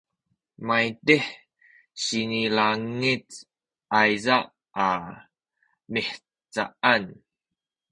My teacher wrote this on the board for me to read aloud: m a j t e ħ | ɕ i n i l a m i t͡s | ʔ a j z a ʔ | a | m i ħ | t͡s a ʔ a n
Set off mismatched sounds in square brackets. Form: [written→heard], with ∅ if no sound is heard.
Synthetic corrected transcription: m a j t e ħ | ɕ i n i l a [m→ŋ] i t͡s | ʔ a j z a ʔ | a | m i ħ | t͡s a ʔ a n